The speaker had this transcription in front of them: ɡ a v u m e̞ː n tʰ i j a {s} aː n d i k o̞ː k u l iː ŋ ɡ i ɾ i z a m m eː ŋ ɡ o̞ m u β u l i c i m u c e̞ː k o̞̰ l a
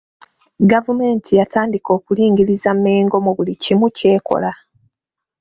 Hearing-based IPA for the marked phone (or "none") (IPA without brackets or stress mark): t